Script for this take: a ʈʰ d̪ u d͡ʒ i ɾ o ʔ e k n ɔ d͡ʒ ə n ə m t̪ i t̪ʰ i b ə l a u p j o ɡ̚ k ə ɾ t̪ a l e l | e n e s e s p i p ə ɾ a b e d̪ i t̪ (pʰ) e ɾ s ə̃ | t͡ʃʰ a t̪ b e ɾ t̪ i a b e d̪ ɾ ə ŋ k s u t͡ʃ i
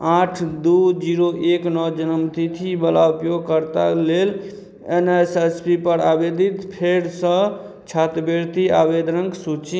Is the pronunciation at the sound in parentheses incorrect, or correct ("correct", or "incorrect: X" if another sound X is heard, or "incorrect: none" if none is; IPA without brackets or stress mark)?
correct